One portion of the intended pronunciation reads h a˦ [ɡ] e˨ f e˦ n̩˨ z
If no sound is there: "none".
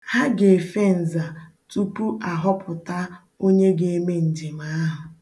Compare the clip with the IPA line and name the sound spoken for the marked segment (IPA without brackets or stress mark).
ɡ